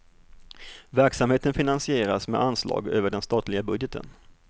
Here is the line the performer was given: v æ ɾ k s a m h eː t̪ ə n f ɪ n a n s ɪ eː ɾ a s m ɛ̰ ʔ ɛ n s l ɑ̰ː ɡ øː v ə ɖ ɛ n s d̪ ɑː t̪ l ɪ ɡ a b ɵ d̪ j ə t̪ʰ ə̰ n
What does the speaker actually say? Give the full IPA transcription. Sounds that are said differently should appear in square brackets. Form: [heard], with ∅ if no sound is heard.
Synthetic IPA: v æ ɾ k s a m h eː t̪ ə n f ɪ n a n s ɪ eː ɾ a s m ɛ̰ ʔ [a] n s l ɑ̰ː ɡ øː v ə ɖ ɛ n s [t̪] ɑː t̪ l ɪ ɡ a b ɵ d̪ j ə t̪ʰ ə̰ n